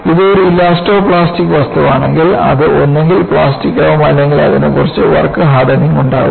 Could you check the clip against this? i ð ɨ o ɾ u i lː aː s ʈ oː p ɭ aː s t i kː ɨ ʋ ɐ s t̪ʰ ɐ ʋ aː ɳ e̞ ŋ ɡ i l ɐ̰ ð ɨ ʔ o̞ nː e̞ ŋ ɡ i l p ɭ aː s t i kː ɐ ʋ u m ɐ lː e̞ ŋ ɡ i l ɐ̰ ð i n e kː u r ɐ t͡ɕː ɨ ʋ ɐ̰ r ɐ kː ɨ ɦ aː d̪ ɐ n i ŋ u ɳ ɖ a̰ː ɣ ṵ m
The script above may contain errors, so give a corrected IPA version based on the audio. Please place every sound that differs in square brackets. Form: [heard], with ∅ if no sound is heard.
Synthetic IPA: i ð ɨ o ɾ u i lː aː s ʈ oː p ɭ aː s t i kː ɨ ʋ ɐ s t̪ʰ ɐ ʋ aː ɳ e̞ ŋ ɡ i l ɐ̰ ð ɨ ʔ o̞ nː e̞ ŋ ɡ i l p ɭ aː s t i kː ɐ ʋ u m ɐ lː e̞ ŋ ɡ i l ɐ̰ ð i n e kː u r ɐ t͡ɕː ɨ ʋ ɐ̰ r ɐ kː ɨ ɦ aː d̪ ɐ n i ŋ u ɳ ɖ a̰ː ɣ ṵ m